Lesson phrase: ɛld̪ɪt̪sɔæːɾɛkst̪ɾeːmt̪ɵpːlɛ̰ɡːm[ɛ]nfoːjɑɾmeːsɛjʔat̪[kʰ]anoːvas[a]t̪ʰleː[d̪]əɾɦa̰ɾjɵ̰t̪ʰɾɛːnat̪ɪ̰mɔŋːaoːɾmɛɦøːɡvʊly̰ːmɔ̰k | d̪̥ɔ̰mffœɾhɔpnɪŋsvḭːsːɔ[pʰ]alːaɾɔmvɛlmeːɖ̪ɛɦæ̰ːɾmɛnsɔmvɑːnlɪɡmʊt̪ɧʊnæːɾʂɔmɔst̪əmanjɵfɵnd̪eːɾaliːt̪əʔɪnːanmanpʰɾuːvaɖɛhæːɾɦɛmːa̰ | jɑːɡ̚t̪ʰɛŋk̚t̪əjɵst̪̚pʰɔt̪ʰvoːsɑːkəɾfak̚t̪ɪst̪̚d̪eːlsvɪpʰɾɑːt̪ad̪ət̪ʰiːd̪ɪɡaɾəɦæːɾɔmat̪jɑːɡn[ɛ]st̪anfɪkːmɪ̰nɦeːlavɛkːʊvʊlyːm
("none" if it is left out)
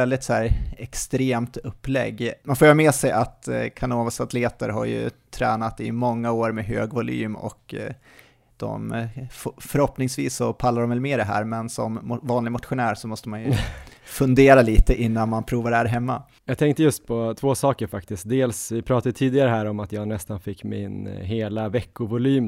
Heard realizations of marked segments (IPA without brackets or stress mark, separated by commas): a, kʰ, a, t̪, pʰ, ɛ